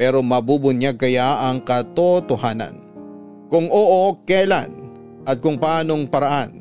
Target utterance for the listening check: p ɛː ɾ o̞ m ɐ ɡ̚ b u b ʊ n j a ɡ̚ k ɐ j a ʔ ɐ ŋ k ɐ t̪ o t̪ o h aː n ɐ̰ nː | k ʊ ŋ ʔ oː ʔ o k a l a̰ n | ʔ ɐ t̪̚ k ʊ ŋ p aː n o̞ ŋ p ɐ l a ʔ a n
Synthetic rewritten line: p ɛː ɾ o̞ m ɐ b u b ʊ n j a ɡ̚ k ɐ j a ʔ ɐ ŋ k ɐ t̪ o t̪ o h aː n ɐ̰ n | k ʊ ŋ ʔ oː ʔ o k ɛ l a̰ n | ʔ ɐ t̪̚ k ʊ ŋ p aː n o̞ ŋ p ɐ ɾ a ʔ a n